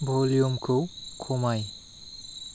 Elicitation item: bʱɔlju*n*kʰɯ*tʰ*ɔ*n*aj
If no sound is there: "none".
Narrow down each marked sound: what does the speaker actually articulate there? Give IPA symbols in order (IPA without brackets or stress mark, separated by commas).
m, kʰ, m